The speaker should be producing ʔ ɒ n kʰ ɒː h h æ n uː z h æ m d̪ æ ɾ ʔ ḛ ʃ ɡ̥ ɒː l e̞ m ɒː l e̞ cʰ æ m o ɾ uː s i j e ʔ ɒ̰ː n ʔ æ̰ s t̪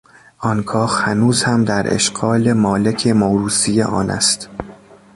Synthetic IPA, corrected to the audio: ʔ ɒ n kʰ ɒː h h æ n uː z h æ m d̪ æ ɾ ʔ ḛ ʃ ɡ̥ ɒː l e̞ m ɒː l e̞ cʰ e m o ɾ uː s i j e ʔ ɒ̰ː n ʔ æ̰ s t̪